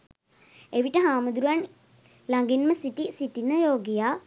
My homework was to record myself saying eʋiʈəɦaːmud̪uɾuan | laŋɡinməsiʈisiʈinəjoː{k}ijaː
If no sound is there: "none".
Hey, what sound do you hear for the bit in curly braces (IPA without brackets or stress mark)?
ɡ